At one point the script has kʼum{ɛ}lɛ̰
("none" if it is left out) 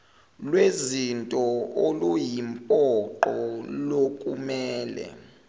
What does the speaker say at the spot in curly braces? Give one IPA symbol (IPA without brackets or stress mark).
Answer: ɛː